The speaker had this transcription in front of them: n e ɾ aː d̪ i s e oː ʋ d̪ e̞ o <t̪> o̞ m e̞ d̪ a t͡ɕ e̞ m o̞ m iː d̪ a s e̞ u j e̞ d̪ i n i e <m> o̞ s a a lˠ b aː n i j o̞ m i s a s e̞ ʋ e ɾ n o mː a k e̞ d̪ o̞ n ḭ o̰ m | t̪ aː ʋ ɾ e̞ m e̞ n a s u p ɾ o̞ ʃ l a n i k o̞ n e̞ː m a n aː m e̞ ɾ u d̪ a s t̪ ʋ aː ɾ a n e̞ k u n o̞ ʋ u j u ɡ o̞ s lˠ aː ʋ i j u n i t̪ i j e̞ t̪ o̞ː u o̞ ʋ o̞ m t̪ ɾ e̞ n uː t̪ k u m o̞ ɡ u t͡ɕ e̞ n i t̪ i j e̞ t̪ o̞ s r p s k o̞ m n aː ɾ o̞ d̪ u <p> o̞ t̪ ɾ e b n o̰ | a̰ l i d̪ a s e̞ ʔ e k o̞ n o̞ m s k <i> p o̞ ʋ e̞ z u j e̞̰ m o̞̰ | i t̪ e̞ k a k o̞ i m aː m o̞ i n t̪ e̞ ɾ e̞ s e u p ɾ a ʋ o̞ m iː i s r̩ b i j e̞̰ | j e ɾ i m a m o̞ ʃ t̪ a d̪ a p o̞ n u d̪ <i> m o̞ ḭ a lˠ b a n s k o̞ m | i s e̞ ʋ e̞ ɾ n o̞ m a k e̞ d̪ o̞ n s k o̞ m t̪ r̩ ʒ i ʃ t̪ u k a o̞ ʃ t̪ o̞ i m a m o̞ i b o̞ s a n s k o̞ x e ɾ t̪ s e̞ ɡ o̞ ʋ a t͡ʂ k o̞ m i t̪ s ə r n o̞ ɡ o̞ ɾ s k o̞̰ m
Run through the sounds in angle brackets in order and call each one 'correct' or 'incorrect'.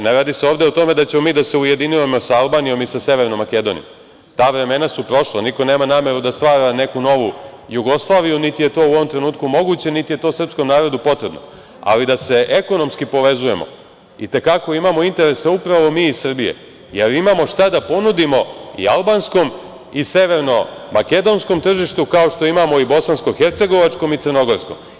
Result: correct, correct, correct, correct, correct

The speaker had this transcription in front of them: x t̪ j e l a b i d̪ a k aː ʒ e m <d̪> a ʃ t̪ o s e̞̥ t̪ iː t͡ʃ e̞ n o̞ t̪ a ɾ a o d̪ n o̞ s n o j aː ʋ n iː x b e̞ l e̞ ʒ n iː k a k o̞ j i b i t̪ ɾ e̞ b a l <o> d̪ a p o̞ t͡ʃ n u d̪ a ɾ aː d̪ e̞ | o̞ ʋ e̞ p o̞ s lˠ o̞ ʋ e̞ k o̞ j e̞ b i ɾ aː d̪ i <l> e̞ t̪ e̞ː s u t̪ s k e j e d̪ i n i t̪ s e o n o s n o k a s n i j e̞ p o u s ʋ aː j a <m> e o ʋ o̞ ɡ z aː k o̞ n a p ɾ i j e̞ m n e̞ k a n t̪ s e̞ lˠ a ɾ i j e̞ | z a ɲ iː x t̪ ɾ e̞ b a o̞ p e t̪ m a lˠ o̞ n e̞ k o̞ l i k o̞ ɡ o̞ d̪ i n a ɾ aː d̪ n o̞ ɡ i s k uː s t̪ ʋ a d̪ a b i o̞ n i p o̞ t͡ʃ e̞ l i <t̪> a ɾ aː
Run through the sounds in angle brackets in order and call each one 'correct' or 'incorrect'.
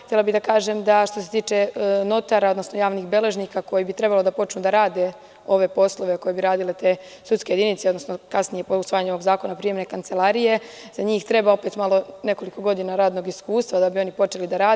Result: correct, correct, correct, incorrect: ɲ, incorrect: d̪

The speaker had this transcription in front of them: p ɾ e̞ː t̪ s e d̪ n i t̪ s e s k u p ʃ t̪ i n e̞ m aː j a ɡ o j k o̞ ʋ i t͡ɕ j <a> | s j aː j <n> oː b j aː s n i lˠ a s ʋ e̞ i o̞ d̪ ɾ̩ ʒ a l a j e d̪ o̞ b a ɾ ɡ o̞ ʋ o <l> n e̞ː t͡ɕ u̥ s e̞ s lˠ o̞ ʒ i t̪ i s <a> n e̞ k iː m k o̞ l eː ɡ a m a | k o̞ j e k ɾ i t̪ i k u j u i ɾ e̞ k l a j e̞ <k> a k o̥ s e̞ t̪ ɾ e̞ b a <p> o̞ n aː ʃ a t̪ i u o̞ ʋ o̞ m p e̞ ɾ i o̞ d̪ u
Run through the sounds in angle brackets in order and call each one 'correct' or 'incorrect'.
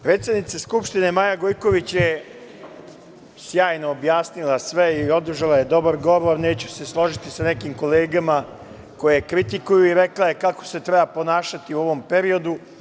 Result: incorrect: e, correct, incorrect: ɾ, correct, correct, correct

